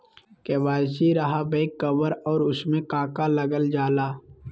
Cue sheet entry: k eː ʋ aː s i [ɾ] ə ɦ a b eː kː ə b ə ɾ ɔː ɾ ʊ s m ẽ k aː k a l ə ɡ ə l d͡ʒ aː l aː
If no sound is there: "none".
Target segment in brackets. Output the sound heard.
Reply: ɾ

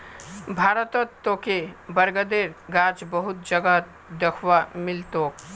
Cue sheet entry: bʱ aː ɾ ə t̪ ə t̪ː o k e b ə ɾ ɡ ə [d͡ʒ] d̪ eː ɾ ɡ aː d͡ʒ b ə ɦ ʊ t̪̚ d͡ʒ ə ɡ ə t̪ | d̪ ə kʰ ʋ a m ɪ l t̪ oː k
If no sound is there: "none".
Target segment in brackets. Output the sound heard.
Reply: none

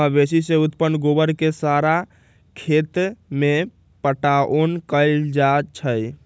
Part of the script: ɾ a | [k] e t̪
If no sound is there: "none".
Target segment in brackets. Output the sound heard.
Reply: kʰ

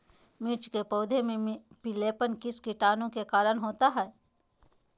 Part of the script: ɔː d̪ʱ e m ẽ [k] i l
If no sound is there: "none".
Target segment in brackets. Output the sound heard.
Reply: p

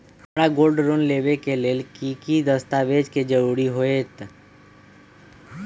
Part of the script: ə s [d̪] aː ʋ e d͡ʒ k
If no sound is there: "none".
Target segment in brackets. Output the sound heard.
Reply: t̪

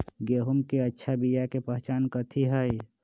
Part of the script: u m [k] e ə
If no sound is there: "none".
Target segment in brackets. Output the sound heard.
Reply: k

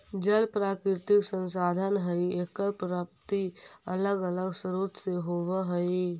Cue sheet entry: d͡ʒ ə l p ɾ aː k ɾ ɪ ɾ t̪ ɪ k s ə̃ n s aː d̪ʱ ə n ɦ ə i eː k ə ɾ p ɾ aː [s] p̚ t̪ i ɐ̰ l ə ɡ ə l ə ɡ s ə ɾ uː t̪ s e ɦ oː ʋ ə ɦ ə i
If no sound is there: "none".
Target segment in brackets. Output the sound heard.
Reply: none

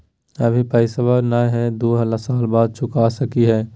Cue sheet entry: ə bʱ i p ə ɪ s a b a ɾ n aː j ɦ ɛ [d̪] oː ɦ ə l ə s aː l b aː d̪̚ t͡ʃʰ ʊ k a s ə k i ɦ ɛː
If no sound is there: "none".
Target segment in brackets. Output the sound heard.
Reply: d̪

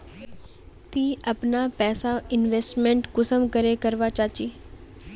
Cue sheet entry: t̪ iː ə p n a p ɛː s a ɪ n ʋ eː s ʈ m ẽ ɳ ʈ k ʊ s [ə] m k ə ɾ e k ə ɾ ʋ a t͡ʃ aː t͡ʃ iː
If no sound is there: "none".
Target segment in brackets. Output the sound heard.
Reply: ə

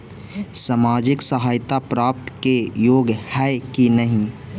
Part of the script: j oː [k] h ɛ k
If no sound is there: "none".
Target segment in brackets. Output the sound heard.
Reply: ɡ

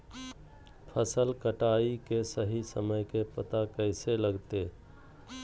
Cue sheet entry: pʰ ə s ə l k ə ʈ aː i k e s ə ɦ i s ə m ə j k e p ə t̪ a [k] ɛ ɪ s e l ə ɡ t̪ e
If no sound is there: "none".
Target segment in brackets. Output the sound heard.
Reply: k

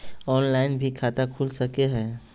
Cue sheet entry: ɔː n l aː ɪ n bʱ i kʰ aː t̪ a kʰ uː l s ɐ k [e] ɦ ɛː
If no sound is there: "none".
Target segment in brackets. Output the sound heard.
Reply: e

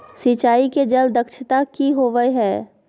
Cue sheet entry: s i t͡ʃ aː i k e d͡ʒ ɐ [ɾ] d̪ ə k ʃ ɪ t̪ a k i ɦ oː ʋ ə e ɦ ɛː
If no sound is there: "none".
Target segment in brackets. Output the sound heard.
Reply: l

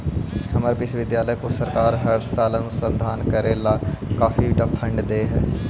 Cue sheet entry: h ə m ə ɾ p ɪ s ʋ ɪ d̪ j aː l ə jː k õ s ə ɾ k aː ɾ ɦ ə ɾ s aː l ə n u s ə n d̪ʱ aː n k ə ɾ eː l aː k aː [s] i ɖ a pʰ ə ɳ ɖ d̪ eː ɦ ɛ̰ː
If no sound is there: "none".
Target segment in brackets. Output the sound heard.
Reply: f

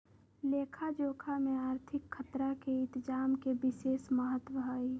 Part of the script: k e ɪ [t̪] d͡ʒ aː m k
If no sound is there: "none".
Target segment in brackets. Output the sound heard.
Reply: t̪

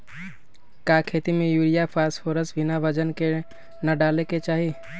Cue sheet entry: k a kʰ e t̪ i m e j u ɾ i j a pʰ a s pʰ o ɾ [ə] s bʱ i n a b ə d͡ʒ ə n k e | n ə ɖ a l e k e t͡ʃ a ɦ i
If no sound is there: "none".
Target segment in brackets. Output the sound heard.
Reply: ə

